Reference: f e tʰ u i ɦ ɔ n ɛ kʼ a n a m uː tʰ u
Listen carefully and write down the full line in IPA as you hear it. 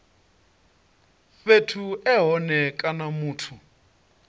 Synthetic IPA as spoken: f e tʰ u ɛ ɦ ɔ n ɛ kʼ a n a m uː tʰ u

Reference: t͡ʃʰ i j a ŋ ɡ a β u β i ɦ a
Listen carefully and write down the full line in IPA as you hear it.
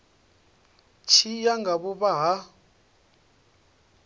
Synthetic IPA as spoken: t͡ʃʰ i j a ŋ ɡ a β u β a ɦ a

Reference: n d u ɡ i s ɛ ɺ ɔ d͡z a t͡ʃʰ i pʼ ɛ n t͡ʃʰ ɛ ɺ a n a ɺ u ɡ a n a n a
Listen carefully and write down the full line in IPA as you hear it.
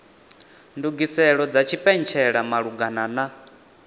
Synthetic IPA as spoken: n d u ɡ i s ɛ ɺ ɔ d͡z a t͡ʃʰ i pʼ ɛ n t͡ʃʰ ɛ ɺ a m a ɺ u ɡ a n a n a

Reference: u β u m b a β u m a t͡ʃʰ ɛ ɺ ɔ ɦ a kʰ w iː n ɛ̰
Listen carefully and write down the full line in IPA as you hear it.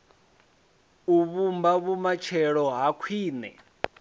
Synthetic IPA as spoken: u β u m b a β u m a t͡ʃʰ ɛ ɺ ɔ ɦ a kʰ w iː n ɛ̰

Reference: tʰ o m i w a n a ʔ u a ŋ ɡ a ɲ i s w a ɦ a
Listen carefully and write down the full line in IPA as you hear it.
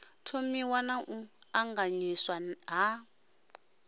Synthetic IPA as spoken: tʰ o m i w a n a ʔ u a ŋ ɡ a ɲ i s w a ɦ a

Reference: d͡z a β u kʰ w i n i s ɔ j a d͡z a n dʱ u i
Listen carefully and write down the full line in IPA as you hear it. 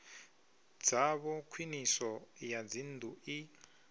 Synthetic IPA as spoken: d͡z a β ɔ kʰ w i n i s ɔ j a d͡z i n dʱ u i

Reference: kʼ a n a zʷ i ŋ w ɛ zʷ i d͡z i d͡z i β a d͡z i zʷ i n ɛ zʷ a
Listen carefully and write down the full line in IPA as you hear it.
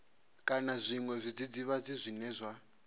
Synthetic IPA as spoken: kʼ a n a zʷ i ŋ w ɛ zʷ i d͡z i d͡z i β a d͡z i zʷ i n ɛ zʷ a

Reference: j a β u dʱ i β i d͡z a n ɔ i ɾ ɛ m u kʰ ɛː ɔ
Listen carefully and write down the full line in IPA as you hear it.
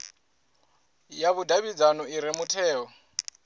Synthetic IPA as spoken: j a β u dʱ a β i d͡z a n ɔ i ɾ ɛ m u tʰ ɛː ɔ

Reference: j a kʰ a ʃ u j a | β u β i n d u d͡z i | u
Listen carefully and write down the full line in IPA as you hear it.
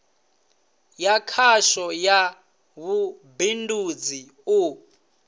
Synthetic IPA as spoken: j a kʰ a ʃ ɔ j a | β u b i n d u d͡z i | u

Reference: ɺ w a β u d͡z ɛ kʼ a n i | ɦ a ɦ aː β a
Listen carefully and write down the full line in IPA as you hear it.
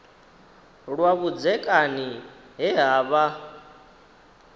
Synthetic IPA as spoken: ɺ w a β u d͡z ɛ kʼ a n i | ɦ ɛ ɦ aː β a

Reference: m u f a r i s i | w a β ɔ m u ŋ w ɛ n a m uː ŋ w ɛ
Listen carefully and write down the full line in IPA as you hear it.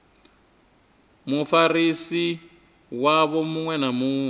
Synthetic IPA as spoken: m u f a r i s i | w a β ɔ m u ŋ w ɛ n a m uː ŋ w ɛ

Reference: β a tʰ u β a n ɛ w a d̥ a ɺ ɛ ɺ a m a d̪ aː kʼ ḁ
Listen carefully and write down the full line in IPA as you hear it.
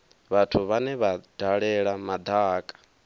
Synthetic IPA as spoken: β a tʰ u β a n ɛ β a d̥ a ɺ ɛ ɺ a m a d̪ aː kʼ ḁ

